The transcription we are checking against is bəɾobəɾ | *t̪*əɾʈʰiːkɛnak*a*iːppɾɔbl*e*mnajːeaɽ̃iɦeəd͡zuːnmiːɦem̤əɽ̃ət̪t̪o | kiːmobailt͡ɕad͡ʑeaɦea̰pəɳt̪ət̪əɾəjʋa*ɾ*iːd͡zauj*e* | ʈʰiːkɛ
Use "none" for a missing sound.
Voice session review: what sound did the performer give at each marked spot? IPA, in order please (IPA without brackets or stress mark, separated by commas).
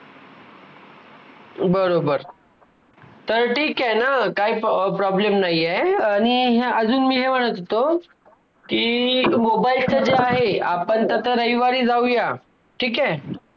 t̪, a, e, ɾ, a